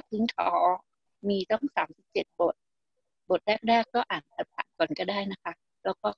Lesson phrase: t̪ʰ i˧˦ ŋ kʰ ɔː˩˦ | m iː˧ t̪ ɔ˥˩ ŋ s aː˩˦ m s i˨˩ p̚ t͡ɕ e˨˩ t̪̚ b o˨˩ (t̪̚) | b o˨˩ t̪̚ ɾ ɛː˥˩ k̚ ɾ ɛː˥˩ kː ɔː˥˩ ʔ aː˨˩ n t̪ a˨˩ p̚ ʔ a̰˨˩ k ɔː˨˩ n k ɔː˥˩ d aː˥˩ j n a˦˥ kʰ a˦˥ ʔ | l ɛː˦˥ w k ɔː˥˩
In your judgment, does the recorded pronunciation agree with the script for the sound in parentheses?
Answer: yes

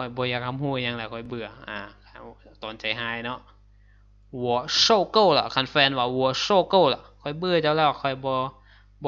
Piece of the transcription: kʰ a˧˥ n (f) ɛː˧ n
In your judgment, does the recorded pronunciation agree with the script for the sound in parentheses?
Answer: yes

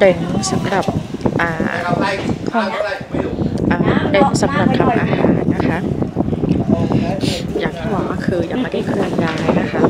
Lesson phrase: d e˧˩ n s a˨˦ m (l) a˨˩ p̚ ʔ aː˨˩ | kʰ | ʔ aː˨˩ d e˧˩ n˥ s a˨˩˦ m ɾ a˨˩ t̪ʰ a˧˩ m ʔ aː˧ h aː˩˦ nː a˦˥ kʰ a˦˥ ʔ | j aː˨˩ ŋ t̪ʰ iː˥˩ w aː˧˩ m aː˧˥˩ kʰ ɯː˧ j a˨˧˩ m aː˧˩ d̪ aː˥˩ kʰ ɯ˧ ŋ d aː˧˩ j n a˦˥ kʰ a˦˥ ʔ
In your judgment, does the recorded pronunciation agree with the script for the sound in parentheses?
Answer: no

